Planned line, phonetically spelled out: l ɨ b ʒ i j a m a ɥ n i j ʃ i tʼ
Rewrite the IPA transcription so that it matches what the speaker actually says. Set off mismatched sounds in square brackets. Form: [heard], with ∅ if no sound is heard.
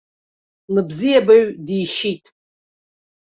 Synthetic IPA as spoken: l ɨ b [z] i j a [b] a ɥ [d] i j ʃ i tʼ